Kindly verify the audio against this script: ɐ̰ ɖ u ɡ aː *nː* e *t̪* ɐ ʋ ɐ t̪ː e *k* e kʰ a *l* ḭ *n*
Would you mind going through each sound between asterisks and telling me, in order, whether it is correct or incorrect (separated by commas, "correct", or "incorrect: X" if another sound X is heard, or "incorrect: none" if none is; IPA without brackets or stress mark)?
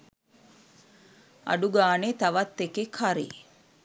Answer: incorrect: n, correct, correct, incorrect: ɾ, incorrect: none